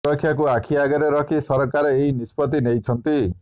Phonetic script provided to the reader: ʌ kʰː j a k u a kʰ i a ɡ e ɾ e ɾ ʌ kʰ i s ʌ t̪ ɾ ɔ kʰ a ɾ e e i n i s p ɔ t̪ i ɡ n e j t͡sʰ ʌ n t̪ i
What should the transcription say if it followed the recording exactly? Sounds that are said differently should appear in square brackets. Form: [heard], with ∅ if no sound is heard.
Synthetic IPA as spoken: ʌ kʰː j a k u a kʰ i a ɡ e ɾ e ɾ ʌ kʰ i s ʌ [∅] ɾ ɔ [k] a ɾ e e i n i s p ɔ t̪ i [∅] n e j t͡sʰ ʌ n t̪ i

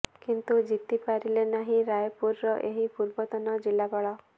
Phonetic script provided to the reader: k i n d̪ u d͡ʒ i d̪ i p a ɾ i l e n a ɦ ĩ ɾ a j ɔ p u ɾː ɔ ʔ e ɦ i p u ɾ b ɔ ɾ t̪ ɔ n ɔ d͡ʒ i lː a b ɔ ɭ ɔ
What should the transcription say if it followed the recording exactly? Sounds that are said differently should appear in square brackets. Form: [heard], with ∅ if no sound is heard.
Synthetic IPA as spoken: k i n [t̪] u d͡ʒ i [t̪] i p a ɾ i l e n a ɦ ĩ ɾ a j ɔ p u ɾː ɔ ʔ e ɦ i p u ɾ b ɔ [∅] t̪ ɔ n ɔ d͡ʒ i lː a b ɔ ɭ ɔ

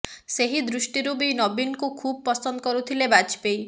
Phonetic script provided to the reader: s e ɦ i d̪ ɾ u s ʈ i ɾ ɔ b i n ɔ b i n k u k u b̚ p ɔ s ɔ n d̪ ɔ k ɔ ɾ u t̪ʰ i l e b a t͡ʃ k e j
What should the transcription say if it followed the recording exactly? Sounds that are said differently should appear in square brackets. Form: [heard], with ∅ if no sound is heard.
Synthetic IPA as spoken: s e ɦ i d̪ ɾ u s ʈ i ɾ [u] b i n ɔ b i n k u [kʰ] u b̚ p ɔ s ɔ n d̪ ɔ k ɔ ɾ u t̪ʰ i l e b a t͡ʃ [p] e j

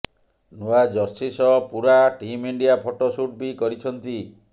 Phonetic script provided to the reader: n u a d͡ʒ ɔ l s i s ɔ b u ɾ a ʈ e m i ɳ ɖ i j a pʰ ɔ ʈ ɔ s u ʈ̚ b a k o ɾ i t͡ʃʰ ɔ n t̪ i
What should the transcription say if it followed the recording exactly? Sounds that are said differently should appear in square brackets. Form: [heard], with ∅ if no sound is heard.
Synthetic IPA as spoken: n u a d͡ʒ ɔ [ɾ] s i s ɔ [p] u ɾ a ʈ [i] m i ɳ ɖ i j a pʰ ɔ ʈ ɔ s u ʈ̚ b [i] k [ɔ] ɾ i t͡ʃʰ ɔ n t̪ i

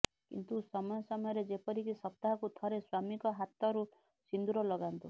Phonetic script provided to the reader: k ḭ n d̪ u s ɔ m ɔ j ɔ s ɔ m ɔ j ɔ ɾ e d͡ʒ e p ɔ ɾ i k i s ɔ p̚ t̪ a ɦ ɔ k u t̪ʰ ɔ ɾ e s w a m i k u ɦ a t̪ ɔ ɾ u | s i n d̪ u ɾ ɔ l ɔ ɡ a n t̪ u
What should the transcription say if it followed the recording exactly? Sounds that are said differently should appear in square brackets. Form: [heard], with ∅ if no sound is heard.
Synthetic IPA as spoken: k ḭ n [t̪] u s ɔ m ɔ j ɔ s ɔ m ɔ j ɔ ɾ e d͡ʒ e p ɔ ɾ i k i s ɔ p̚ t̪ a ɦ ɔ k u t̪ʰ ɔ ɾ e s w a m i k [ɔ] ɦ a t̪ ɔ ɾ u | s i n d̪ u ɾ ɔ l ɔ ɡ a n t̪ u

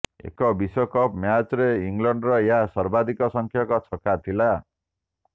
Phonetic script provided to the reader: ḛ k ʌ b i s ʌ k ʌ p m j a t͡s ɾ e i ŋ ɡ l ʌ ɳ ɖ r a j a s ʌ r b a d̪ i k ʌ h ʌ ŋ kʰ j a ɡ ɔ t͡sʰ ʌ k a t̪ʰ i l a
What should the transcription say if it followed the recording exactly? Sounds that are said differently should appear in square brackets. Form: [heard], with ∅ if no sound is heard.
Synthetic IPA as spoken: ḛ k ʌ b i s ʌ k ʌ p m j a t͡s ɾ e i ŋ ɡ l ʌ ɳ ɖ r [ʌ] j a s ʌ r b a d̪ i k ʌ [s] ʌ ŋ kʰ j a [k] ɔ t͡sʰ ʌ k a t̪ʰ i l a

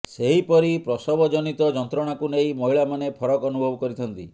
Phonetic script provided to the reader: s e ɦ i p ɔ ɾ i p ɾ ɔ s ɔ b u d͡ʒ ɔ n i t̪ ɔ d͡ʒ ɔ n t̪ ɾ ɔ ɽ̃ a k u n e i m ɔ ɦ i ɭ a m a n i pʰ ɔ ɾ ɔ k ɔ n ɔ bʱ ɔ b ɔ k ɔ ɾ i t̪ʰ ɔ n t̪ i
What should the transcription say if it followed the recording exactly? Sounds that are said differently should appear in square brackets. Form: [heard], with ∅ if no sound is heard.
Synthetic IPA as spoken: s e ɦ i p ɔ ɾ i p ɾ ɔ s ɔ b [ɔ] d͡ʒ ɔ n i t̪ ɔ d͡ʒ ɔ n t̪ ɾ ɔ ɽ̃ a k u n e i m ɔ ɦ i ɭ a m a n [e] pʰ ɔ ɾ ɔ k ɔ n [u] bʱ ɔ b ɔ k ɔ ɾ i t̪ʰ ɔ n t̪ i

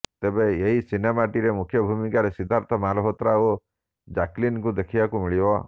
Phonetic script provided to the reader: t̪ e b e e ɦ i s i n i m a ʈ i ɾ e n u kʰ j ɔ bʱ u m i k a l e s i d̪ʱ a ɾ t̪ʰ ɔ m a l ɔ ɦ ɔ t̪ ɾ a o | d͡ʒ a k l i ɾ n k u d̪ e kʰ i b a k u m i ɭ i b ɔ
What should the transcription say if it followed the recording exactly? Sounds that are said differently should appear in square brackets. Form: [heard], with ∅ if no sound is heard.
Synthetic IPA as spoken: t̪ e b e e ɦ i s i n [e] m a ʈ i ɾ e [m] u kʰ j ɔ bʱ u m i k a [ɾ] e s i d̪ʱ a ɾ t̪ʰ ɔ m a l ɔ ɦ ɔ t̪ ɾ a o | d͡ʒ a k l i [∅] n k u d̪ e kʰ i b a k u m i ɭ i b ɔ

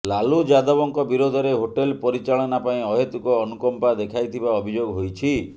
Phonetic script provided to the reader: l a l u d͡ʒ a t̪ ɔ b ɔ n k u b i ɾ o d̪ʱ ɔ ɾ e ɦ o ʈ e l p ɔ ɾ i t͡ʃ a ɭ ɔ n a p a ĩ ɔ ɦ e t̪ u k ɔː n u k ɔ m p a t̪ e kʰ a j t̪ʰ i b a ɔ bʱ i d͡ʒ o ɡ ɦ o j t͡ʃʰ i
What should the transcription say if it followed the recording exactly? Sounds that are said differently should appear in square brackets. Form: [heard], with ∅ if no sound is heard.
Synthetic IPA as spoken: l a l u d͡ʒ a [d̪] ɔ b ɔ [ŋ] k [ɔ] b i ɾ o d̪ʱ ɔ ɾ e ɦ o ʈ e l p ɔ ɾ i t͡ʃ a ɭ ɔ n a p a ĩ ɔ ɦ e t̪ u k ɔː n u k ɔ m p a [d̪] e kʰ a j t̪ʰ i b a ɔ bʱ i d͡ʒ o ɡ ɦ o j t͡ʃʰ i

